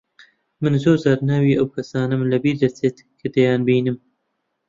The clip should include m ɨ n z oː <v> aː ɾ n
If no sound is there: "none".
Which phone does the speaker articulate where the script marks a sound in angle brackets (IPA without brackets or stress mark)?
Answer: z